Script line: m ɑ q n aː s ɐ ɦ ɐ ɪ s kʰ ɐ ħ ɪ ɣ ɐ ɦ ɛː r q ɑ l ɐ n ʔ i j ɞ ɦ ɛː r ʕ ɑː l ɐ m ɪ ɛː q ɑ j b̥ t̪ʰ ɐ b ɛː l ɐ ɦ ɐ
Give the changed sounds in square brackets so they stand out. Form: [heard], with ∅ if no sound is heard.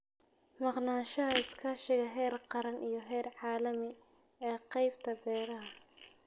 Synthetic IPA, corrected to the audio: m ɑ q n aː [ʃ] ɐ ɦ ɐ ɪ s kʰ ɐ [ʃ] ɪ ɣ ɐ ɦ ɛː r q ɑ [ɾ] ɐ n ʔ i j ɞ ɦ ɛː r ʕ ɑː l ɐ m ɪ ɛː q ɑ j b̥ t̪ʰ ɐ b ɛː [ɾ] ɐ ɦ ɐ